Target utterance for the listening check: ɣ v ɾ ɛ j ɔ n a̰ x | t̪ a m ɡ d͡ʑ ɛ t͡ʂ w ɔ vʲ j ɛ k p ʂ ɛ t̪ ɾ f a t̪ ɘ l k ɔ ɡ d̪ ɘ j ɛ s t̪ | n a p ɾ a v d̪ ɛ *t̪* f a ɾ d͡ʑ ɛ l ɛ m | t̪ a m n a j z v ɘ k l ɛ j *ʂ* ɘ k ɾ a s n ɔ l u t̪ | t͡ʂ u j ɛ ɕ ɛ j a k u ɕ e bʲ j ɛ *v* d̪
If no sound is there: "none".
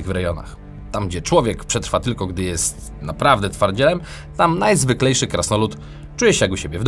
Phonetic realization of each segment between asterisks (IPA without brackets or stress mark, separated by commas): t̪, ʂ, v